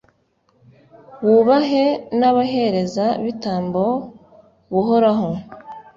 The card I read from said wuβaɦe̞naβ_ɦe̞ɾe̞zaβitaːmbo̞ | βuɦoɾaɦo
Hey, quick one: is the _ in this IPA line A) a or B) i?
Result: A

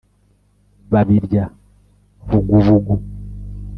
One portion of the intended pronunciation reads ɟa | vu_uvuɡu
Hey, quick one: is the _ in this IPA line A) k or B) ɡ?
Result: B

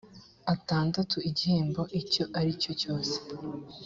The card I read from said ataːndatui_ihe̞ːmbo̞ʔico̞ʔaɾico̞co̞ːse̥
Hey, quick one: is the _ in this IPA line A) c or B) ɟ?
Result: B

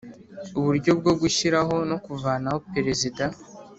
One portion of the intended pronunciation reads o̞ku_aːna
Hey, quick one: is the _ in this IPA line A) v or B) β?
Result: A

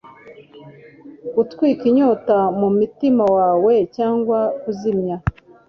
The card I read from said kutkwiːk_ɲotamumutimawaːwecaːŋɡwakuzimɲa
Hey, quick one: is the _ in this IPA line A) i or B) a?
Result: A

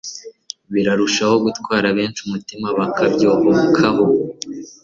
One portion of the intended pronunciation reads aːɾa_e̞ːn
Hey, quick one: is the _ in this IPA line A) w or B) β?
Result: B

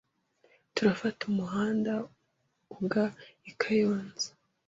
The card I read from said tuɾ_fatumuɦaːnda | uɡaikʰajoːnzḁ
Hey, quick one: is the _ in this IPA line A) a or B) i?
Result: A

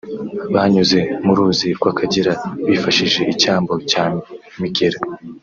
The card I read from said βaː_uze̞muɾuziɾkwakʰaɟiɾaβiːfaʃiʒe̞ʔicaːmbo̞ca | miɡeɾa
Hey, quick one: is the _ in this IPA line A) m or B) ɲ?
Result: B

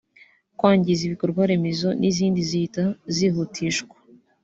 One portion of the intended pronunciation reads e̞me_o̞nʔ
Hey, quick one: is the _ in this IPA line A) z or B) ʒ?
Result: A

